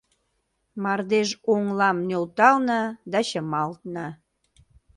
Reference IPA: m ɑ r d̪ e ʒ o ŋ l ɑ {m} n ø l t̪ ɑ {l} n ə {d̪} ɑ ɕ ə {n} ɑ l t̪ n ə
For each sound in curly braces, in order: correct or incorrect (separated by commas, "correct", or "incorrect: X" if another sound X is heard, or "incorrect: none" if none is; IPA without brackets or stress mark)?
correct, correct, correct, incorrect: m